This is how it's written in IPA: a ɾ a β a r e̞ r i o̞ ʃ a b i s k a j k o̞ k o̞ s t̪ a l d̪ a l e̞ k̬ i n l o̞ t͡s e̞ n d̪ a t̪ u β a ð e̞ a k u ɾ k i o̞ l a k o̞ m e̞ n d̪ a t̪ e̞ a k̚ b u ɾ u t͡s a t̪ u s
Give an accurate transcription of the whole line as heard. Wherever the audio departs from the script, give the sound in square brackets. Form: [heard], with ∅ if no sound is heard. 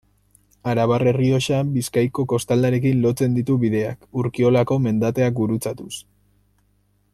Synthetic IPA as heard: a ɾ a β a r e̞ r i o̞ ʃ a b i s k a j k o̞ k o̞ s t̪ a l d̪ a [ɾ] e̞ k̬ i n l o̞ t͡s e̞ n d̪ [i] t̪ u β [i] ð e̞ a k u ɾ k i o̞ l a k o̞ m e̞ n d̪ a t̪ e̞ a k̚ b u ɾ u t͡s a t̪ u s